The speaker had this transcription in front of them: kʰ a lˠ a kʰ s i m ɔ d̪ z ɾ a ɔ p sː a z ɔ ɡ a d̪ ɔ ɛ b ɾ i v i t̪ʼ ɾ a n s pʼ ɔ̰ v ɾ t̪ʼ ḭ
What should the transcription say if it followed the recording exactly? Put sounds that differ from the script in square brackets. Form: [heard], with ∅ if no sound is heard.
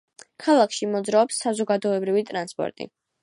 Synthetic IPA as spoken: kʰ a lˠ a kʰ [ʃ] i m ɔ d̪ z ɾ a ɔ p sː a z ɔ ɡ a d̪ ɔ ɛ b ɾ i v i t̪ʼ ɾ a n s pʼ ɔ̰ [∅] ɾ t̪ʼ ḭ